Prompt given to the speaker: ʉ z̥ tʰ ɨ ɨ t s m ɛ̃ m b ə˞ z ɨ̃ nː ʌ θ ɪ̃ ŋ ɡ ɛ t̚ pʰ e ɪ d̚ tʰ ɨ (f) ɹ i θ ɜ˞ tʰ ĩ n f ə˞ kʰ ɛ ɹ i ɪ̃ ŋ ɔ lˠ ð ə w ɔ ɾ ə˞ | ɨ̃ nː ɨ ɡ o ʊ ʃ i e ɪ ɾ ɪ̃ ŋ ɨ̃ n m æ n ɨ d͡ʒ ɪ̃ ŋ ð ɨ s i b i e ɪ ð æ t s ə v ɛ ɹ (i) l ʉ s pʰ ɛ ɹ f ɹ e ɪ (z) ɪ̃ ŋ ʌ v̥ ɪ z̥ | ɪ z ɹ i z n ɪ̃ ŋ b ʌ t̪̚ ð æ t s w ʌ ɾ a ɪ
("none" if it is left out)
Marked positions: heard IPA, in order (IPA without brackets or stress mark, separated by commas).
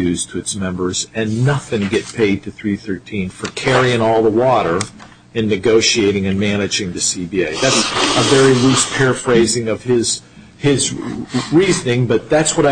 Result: θ, i, z